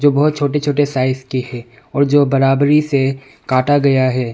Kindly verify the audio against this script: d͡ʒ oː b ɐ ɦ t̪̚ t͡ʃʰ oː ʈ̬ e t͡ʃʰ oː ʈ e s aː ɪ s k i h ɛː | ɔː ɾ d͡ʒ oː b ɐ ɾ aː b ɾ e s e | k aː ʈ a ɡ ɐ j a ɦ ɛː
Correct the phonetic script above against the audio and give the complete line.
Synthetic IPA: d͡ʒ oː b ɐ ɦ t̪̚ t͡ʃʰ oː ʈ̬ e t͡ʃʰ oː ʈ e s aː ɪ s k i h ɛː | ɔː ɾ d͡ʒ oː b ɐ ɾ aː b ɾ i s e | k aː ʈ a ɡ ɐ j a ɦ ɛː